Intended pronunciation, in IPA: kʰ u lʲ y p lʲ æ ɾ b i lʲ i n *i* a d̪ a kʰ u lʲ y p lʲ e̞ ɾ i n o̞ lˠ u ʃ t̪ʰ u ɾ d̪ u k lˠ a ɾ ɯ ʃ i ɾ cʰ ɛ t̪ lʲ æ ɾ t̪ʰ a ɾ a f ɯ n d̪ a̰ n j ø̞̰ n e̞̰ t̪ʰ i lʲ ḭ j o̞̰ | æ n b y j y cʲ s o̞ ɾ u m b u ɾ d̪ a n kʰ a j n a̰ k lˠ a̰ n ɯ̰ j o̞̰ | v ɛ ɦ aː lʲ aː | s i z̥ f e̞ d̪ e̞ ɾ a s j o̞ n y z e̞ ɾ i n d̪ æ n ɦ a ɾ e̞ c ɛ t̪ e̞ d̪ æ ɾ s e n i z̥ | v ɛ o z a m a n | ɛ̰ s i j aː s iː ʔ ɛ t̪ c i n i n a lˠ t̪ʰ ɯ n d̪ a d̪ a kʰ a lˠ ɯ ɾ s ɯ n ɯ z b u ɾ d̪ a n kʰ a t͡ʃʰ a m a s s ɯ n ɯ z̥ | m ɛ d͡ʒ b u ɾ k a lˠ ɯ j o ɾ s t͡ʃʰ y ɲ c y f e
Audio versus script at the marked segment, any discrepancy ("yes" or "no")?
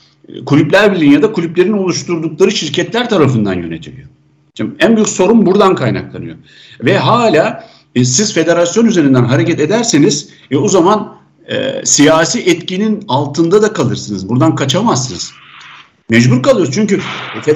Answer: yes